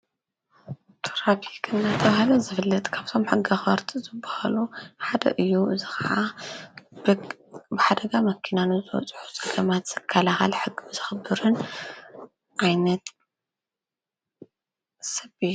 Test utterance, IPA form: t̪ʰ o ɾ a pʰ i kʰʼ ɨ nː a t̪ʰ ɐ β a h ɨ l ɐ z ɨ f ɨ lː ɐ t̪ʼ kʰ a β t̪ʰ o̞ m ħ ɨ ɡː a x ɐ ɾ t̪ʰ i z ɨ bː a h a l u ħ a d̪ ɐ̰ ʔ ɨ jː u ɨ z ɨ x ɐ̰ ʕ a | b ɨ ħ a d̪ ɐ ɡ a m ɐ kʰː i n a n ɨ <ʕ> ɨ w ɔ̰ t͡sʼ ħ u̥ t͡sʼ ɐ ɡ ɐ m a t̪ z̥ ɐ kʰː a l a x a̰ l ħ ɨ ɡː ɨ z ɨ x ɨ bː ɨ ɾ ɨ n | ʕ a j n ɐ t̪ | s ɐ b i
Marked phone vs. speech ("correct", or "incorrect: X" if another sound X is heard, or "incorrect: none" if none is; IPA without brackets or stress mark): incorrect: z